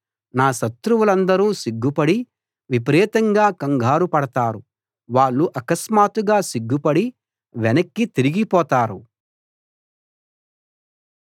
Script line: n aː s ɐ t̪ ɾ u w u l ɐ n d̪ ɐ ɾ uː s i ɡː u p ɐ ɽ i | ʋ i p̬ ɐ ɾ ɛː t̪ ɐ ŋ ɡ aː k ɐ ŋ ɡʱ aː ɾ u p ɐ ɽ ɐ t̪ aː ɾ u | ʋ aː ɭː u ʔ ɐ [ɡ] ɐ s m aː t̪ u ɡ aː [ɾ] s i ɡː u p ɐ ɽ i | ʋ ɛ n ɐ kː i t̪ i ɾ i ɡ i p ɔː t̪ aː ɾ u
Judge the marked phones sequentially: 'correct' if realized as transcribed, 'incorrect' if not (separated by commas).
incorrect, incorrect